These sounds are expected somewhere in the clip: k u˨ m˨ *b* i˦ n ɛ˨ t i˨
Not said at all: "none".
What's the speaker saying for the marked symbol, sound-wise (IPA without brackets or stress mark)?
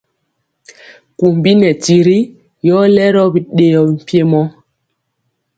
b